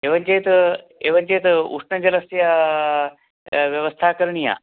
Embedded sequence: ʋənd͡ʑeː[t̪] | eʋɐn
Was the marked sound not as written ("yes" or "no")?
no